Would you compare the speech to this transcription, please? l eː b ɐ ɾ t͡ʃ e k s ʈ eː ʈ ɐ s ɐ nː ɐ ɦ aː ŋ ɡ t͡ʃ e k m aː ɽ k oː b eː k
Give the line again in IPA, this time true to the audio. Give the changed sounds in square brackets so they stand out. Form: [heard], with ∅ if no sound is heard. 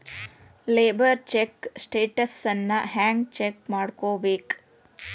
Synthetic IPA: l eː b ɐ ɾ t͡ʃ e k s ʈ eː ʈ ɐ s ɐ nː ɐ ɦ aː ŋ ɡ t͡ʃ e k m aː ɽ k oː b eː k